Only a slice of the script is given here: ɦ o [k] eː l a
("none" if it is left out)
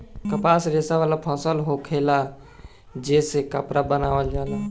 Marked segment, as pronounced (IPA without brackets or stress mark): kʰ